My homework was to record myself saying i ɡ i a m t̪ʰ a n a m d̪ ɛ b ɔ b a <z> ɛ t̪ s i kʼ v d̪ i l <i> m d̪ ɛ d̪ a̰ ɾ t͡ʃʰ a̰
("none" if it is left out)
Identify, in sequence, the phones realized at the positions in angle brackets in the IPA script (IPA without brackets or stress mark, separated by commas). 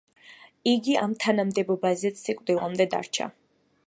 z, a